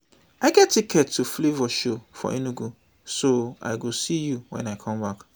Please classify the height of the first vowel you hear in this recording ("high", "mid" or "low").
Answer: low